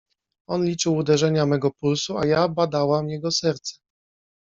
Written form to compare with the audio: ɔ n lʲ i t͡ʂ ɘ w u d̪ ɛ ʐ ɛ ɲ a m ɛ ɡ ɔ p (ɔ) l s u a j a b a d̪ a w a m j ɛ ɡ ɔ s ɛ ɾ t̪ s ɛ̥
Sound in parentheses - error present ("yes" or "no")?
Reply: yes